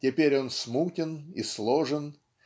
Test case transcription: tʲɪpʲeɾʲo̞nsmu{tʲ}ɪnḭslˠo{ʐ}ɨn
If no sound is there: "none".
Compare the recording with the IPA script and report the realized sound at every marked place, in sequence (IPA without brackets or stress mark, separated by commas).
tʲ, ʐ